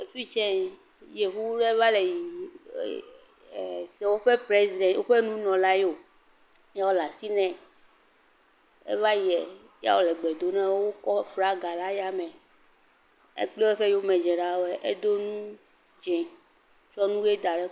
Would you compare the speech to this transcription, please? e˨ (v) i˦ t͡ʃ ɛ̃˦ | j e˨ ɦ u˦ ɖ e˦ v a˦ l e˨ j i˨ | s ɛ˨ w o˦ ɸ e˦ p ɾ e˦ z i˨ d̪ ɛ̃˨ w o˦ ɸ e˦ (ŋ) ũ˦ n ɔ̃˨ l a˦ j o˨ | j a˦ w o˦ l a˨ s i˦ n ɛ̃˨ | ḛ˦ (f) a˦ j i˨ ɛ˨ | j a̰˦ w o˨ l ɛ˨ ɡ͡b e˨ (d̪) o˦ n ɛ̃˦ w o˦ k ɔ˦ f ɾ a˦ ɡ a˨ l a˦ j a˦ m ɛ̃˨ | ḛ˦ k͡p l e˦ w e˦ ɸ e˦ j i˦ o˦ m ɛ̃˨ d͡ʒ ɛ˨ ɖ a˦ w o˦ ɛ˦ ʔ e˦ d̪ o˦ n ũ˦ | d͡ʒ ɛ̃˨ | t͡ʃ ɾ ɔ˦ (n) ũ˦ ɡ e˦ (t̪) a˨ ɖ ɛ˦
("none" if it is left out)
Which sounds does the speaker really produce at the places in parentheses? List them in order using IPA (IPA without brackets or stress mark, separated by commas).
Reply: f, n, v, d̪, n, d̪